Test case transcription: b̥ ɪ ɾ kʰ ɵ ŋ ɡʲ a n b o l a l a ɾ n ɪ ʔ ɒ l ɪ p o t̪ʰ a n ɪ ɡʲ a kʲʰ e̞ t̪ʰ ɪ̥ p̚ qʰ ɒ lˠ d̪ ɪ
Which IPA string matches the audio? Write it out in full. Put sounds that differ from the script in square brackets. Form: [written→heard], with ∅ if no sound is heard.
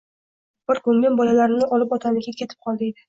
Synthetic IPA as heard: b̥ ɪ ɾ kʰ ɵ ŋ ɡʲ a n b [o→ɒ] l a l a ɾ n ɪ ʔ ɒ l ɪ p [o→ɒ] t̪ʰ a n ɪ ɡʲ a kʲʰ e̞ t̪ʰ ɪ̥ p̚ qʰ ɒ lˠ d̪ ɪ